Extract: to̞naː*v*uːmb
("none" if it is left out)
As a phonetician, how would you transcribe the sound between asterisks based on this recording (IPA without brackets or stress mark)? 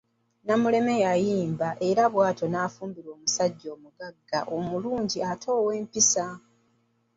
f